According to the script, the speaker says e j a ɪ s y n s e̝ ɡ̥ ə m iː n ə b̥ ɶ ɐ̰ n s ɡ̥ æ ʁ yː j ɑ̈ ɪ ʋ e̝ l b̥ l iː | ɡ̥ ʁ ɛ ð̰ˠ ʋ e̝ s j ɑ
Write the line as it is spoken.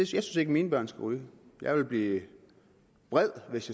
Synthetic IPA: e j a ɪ s y n s e̝ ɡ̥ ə m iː n ə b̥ ɶ ɐ̰ n s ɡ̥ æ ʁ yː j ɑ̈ ɪ ʋ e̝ l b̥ l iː | b̥ ʁ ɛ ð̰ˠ ʋ e̝ s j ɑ